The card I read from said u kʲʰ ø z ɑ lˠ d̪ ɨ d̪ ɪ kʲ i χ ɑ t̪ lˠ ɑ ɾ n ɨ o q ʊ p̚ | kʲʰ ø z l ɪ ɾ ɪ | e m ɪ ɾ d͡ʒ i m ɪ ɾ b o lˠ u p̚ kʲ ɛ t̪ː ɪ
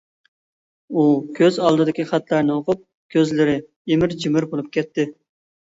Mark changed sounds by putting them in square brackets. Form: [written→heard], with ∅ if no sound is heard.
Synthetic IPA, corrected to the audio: u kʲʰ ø z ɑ lˠ d̪ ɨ d̪ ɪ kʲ i χ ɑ t̪ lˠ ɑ ɾ n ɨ o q ʊ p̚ | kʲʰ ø z l ɪ ɾ ɪ | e m ɪ ɾ d͡ʒ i m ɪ ɾ b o lˠ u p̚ kʲ ɛ t̪ː ɪ